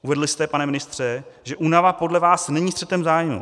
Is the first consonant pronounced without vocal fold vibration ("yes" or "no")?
no